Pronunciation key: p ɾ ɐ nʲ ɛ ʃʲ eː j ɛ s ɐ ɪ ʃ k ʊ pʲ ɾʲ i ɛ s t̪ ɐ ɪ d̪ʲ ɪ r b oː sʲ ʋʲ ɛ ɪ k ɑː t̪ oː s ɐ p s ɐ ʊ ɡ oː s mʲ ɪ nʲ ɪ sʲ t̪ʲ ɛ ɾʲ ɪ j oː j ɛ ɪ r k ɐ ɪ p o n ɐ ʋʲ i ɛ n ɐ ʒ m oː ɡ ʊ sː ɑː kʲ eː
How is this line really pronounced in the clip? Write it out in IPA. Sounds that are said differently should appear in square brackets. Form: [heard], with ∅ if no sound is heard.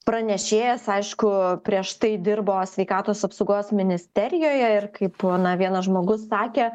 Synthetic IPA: p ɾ ɐ nʲ ɛ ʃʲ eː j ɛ s ɐ ɪ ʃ k ʊ pʲ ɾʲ i ɛ [ʃ] t̪ ɐ ɪ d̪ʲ ɪ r b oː sʲ ʋʲ ɛ ɪ k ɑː t̪ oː s ɐ p s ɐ ʊ ɡ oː s mʲ ɪ nʲ ɪ sʲ t̪ʲ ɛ ɾʲ ɪ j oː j ɛ ɪ r k ɐ ɪ p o n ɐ ʋʲ i ɛ n ɐ ʒ m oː ɡ ʊ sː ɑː kʲ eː